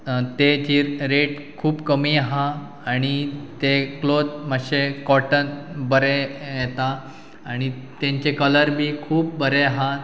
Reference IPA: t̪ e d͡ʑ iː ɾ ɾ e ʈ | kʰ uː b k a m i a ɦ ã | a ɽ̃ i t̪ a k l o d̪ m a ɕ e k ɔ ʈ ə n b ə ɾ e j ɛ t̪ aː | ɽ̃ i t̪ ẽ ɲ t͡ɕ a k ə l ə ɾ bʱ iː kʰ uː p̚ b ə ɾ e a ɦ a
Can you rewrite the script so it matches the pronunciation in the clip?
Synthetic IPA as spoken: t̪ e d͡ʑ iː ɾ ɾ e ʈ | kʰ uː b k ə m i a ɦ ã | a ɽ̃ i t̪ e k l o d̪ m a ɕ e k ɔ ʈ ə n b ə ɾ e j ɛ t̪ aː | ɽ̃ i t̪ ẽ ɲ t͡ɕ e k ə l ə ɾ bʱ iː kʰ uː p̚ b ə ɾ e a ɦ a